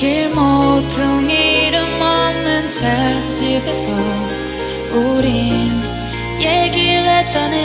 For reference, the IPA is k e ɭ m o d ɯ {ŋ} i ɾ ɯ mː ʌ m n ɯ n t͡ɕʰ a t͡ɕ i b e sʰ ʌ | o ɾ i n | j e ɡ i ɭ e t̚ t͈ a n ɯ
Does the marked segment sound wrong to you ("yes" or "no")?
no